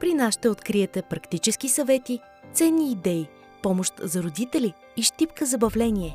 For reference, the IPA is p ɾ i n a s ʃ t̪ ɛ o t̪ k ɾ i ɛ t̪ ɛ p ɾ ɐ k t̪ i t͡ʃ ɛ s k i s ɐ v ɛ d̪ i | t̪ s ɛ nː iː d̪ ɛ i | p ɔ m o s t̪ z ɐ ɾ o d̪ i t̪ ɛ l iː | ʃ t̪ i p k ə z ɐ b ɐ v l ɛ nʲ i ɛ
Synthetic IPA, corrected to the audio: p ɾ i n a s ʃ t̪ ɛ o t̪ k ɾ i ɛ t̪ ɛ p ɾ ɐ k t̪ i t͡ʃ ɛ s k i s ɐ v ɛ t̪ i | t̪ s ɛ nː iː d̪ ɛ i | p ɔ m o ʃ t̪ z ɐ ɾ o d̪ i t̪ ɛ l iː | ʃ t̪ i p k ə z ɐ b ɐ v l ɛ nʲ i ɛ